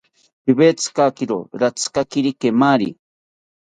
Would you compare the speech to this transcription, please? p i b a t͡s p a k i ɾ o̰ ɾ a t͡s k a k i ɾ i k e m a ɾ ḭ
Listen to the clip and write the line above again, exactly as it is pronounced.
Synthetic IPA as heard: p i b e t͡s k a k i ɾ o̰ ɾ a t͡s k a k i ɾ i k e m a ɾ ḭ